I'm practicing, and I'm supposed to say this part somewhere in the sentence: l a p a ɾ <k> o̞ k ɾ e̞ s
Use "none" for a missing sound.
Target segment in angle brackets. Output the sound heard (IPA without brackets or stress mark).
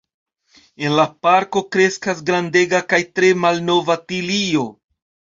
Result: k